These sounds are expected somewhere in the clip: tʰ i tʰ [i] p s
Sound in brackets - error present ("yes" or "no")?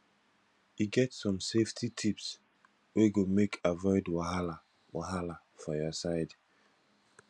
no